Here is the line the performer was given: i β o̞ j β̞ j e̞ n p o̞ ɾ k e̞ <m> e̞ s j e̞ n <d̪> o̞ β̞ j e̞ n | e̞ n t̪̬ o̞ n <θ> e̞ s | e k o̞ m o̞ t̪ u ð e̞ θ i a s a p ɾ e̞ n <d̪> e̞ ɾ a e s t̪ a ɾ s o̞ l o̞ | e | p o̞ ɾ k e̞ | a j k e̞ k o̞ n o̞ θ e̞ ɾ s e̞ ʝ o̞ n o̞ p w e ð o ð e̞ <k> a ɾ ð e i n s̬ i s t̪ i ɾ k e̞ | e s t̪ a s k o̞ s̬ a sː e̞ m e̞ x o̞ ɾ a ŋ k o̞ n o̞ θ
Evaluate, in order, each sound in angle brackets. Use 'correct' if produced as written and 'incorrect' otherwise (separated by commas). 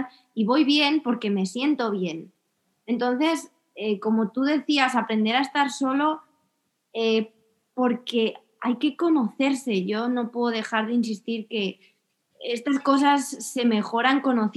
correct, incorrect, correct, correct, incorrect